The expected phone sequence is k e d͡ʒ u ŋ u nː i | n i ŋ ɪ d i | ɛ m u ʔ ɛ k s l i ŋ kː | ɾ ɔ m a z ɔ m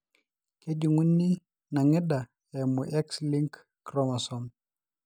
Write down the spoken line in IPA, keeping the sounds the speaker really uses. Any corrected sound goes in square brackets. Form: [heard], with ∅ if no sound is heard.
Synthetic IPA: k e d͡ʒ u ŋ u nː i | n [a] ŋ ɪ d [a] | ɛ m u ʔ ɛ k s l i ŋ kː | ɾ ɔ m a [s] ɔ m